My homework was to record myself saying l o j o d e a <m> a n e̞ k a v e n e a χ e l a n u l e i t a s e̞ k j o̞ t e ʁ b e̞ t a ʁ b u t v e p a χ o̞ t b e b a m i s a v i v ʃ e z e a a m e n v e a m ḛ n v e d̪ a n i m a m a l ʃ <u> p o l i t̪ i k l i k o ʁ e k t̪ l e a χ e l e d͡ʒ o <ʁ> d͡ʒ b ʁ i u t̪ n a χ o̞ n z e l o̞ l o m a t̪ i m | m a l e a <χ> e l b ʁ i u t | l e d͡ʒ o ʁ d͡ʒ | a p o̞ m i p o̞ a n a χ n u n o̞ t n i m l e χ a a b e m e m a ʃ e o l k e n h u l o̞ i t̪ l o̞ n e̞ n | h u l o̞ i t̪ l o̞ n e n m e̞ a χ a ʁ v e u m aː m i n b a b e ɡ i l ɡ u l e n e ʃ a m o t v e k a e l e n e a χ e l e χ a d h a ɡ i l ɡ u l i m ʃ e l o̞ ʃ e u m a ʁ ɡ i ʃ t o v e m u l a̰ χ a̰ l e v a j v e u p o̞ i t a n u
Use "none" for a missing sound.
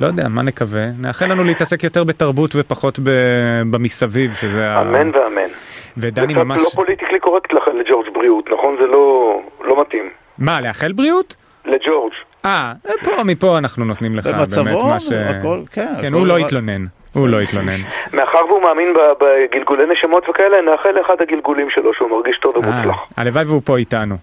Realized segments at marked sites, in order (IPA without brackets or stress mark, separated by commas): m, o, ʁ, χ